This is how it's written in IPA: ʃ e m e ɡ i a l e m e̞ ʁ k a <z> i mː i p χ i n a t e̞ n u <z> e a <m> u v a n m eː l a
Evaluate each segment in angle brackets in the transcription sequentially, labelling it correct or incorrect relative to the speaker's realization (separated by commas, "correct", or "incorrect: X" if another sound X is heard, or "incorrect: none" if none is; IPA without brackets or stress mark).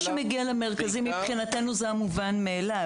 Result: correct, correct, correct